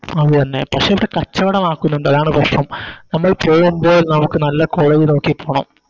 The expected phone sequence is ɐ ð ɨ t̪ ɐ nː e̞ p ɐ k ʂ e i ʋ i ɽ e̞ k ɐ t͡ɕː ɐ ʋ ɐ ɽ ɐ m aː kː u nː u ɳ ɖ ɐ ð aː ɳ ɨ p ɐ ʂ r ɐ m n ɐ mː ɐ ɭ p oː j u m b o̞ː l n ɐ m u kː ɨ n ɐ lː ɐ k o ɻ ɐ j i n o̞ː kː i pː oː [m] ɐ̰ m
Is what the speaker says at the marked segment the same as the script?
no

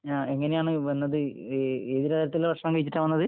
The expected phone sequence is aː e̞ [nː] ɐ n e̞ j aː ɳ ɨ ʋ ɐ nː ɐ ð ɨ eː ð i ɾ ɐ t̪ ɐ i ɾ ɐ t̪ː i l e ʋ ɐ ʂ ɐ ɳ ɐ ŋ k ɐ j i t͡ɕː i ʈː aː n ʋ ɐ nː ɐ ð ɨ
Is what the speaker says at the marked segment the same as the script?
no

